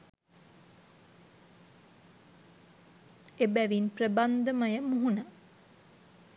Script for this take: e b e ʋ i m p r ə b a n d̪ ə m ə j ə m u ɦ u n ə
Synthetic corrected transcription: e b æ ʋ i n p r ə b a n d̪ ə m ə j ə m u ɦ u n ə